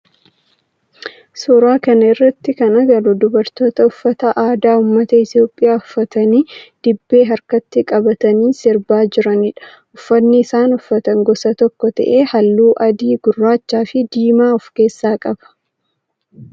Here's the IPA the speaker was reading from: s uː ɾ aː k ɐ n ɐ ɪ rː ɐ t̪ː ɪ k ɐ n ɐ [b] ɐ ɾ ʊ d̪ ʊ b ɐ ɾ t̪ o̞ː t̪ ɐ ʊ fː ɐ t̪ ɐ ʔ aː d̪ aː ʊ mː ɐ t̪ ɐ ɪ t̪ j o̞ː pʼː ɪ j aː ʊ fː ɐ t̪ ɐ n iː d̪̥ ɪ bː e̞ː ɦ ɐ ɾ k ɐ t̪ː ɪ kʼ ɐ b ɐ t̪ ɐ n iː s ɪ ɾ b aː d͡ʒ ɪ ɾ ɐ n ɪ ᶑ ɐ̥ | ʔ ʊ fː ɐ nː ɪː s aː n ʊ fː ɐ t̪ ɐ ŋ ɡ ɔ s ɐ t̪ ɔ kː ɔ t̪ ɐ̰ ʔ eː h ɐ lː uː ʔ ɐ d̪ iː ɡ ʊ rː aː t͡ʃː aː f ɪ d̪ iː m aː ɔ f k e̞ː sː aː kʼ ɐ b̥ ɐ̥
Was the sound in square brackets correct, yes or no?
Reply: no